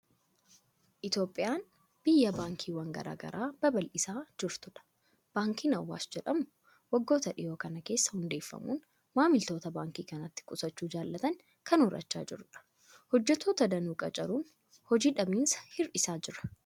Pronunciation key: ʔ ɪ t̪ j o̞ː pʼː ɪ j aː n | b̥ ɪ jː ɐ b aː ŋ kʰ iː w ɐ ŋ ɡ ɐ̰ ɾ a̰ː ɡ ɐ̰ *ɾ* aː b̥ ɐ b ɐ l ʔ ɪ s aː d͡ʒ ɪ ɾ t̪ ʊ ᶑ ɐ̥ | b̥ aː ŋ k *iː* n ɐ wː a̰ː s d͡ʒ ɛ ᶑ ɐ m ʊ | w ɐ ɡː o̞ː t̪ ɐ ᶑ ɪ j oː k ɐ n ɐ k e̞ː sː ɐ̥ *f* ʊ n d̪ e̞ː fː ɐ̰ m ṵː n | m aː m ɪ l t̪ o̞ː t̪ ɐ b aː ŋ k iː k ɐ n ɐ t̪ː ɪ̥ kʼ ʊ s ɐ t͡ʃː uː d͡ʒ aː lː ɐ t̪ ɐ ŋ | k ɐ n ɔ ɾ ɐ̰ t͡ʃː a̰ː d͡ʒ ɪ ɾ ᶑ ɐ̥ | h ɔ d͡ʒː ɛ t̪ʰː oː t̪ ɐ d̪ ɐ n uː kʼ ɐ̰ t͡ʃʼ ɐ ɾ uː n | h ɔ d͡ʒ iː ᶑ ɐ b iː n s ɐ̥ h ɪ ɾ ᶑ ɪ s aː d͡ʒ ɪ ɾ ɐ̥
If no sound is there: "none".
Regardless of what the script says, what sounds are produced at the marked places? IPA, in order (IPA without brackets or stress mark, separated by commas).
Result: ɾ, iː, h